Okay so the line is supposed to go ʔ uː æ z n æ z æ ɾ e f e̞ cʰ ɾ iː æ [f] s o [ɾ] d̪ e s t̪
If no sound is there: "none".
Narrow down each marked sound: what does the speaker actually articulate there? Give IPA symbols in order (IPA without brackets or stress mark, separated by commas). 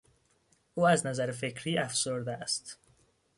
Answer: f, ɾ